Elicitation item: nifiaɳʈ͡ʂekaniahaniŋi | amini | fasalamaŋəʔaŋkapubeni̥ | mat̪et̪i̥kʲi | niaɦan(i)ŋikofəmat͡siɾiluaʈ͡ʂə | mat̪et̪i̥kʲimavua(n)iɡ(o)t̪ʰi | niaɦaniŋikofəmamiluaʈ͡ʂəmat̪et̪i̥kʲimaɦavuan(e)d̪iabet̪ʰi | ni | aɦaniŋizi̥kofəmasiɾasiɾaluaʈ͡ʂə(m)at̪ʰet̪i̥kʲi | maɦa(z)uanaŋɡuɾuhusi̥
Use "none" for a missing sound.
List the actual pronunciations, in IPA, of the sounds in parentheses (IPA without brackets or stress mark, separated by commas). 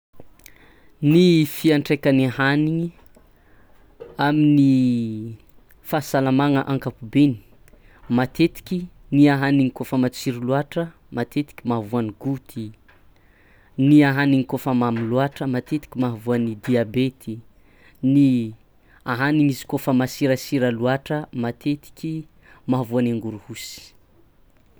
i, n, u, i, m, v